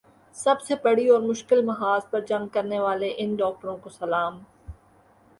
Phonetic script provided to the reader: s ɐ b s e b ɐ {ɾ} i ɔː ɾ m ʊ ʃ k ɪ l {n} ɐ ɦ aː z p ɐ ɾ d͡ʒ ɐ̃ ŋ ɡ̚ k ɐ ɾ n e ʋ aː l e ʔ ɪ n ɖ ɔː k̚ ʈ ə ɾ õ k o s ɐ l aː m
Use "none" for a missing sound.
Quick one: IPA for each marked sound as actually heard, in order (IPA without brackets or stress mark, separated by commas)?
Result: ɽ, m